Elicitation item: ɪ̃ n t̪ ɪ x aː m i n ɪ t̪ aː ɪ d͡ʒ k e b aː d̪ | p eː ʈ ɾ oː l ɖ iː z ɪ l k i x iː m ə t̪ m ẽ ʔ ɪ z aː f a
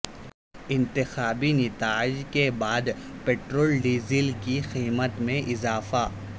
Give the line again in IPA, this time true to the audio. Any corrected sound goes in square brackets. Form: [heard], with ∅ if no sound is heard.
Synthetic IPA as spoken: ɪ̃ n t̪ ɪ x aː [b] i n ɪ t̪ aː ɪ d͡ʒ k e b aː d̪ | p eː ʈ ɾ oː l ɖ iː z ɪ l k i x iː m ə t̪ m ẽ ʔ ɪ z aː f a